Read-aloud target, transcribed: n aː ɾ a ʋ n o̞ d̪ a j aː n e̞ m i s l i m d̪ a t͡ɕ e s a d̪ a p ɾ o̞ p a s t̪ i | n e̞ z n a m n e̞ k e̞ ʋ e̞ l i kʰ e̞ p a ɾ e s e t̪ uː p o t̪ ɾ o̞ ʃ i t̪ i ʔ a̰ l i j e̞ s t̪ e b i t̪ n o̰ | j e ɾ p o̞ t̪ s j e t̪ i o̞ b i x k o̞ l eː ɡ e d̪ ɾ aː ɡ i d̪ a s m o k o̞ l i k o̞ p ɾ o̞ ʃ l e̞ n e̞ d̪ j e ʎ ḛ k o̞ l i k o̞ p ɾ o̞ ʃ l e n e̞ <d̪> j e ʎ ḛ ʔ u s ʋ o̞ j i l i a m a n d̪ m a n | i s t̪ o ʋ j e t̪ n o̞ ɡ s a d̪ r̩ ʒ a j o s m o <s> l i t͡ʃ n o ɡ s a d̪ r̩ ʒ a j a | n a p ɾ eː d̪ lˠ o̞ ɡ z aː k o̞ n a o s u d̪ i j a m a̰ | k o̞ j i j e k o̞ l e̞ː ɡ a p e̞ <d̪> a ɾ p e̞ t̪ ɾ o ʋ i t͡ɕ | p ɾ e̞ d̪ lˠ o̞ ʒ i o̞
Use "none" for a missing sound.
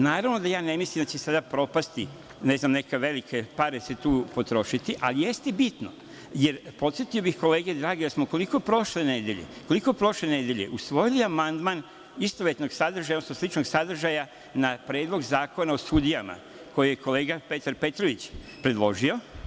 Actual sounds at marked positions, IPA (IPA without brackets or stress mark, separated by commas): d̪, s, t̪